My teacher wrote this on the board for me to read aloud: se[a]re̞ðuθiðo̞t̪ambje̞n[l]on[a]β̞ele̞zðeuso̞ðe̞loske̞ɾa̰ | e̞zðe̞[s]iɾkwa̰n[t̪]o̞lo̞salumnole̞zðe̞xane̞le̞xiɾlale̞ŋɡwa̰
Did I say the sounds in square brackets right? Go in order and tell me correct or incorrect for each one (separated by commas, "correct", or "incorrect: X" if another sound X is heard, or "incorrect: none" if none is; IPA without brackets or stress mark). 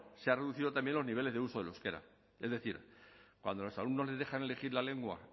correct, correct, incorrect: i, incorrect: θ, incorrect: d̪